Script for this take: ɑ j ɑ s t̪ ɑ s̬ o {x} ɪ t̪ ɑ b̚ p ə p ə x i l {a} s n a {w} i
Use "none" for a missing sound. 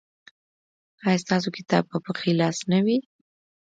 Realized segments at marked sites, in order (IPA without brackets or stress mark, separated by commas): k, ɑ, w